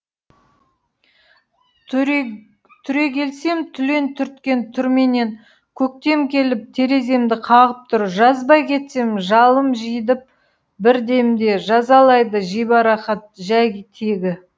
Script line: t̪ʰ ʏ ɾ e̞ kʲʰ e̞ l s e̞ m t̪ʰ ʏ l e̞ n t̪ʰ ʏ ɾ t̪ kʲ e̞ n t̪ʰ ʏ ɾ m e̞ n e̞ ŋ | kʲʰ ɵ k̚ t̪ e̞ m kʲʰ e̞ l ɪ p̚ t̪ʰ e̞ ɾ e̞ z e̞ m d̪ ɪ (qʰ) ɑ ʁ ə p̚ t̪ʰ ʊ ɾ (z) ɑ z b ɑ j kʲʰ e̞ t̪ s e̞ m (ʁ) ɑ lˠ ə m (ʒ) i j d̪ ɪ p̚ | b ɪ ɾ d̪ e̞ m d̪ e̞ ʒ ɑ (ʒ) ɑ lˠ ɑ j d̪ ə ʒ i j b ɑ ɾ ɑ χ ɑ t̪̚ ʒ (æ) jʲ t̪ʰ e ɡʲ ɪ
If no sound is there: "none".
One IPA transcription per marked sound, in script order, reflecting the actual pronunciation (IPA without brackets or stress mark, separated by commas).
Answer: qʰ, ʒ, ʒ, ʒ, z, æ